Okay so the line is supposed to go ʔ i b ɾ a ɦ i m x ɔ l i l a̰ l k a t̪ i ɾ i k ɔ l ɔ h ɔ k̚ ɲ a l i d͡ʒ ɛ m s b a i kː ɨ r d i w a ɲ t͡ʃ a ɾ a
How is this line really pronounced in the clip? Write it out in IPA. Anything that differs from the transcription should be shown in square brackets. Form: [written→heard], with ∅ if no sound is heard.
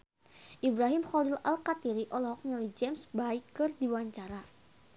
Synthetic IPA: ʔ i b ɾ a ɦ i m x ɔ l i l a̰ l k a t̪ i ɾ i [k→ʔ] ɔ l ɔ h ɔ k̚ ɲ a l i d͡ʒ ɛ m s b a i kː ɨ r d i w a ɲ t͡ʃ a ɾ a